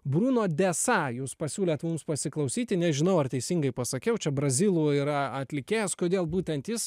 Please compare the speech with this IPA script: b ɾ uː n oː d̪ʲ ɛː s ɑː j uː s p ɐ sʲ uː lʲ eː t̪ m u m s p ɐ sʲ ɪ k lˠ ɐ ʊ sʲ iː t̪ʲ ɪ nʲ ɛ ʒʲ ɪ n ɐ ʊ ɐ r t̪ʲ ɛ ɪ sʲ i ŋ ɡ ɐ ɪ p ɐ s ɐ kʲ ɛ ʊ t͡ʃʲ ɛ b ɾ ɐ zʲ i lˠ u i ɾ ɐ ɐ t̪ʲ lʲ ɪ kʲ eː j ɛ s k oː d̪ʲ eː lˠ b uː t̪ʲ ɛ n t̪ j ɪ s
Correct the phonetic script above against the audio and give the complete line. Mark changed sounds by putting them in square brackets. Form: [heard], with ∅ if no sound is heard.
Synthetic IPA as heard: b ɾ uː n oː d̪ʲ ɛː s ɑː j uː s p ɐ sʲ uː lʲ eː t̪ m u m s p ɐ sʲ ɪ k lˠ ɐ ʊ sʲ iː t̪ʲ ɪ nʲ ɛ ʒʲ ɪ n ɐ ʊ ɐ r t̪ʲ ɛ ɪ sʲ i ŋ ɡ ɐ ɪ p ɐ s ɐ kʲ ɛ ʊ t͡ʃʲ ɛ b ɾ ɐ zʲ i lˠ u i ɾ ɐ ɐ t̪ʲ lʲ ɪ kʲ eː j ɛ s k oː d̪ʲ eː lˠ b uː t̪ʲ ɛ n t̪ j ɪ s